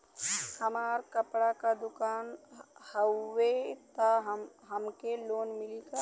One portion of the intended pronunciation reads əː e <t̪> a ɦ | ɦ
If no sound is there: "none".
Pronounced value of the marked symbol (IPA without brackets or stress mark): t̪